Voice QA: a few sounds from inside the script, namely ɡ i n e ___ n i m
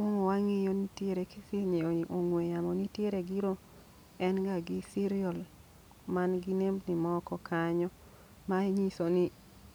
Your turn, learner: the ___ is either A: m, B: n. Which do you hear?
A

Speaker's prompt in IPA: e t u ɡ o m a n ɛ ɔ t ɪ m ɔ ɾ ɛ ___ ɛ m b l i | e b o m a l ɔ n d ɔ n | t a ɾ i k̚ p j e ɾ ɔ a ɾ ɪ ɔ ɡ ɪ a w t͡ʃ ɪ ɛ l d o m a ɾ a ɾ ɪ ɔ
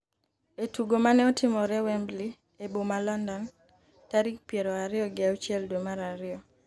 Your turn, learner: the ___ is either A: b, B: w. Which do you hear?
B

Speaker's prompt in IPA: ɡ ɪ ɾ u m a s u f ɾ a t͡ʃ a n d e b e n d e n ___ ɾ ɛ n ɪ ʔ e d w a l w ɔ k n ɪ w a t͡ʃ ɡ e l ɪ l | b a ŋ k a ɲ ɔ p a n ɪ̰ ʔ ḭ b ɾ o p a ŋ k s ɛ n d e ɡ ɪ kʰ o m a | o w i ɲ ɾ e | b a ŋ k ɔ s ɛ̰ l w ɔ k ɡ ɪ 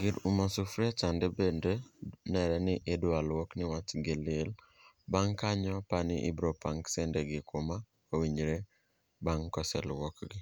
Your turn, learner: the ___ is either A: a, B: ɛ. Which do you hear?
B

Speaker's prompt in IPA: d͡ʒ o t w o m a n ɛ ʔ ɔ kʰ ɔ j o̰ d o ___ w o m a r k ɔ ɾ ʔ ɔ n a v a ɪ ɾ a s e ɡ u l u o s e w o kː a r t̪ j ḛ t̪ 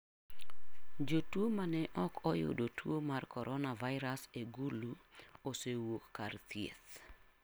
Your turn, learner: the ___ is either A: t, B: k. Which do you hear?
A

